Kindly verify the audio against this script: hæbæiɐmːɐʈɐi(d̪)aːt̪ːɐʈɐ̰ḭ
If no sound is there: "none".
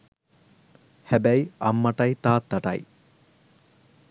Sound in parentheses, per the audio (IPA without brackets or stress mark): t̪